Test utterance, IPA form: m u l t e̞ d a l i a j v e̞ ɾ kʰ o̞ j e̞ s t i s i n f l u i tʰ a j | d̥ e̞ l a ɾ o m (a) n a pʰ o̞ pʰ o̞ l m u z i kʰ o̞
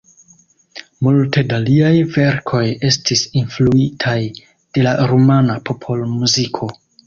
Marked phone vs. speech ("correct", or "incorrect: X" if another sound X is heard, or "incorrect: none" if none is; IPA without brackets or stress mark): correct